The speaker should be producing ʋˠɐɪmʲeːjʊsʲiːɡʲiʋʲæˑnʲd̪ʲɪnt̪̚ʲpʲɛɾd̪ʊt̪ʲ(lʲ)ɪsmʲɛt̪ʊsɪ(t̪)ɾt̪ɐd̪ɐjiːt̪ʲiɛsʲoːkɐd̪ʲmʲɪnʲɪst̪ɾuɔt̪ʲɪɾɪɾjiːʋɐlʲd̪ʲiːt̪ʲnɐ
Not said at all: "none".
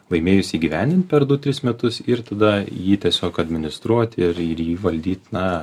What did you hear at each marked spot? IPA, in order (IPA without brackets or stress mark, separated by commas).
ɾʲ, none